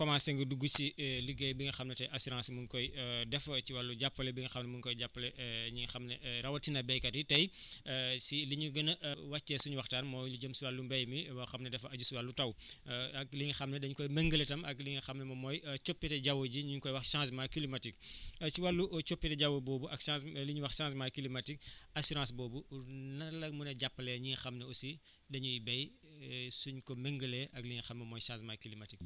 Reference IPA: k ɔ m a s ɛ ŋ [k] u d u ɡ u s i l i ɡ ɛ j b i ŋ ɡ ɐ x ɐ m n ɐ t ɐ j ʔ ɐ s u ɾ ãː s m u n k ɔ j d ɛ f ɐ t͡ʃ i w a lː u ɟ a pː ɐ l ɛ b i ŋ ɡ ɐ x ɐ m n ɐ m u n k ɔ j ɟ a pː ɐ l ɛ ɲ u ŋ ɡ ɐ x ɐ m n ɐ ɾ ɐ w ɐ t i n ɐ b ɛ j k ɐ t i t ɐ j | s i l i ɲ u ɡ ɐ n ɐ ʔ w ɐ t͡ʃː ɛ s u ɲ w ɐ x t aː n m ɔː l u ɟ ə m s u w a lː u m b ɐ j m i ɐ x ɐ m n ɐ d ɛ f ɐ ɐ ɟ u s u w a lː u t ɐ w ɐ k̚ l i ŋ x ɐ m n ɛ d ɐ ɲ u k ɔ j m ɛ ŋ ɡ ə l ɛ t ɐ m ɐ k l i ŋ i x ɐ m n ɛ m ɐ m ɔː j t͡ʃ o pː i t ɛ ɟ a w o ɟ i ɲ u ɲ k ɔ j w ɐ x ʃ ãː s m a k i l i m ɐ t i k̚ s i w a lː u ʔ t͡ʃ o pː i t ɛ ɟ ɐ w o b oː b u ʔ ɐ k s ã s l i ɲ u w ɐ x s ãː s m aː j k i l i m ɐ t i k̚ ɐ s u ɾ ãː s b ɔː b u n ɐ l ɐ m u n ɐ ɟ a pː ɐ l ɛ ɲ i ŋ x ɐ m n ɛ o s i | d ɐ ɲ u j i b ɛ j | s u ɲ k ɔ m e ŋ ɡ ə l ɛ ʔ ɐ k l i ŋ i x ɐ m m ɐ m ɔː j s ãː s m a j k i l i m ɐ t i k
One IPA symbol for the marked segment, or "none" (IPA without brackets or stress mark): ɡ